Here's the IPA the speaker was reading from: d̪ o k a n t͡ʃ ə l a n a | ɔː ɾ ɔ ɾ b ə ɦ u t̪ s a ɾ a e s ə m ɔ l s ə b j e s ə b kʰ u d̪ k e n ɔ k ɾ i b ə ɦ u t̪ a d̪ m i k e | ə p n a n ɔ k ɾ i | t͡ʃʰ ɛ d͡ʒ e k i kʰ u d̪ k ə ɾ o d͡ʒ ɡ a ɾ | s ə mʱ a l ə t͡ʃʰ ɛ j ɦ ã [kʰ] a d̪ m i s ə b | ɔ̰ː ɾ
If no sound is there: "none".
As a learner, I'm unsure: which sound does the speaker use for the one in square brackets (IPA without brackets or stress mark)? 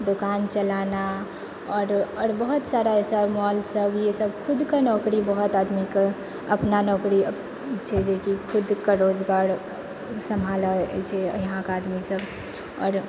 k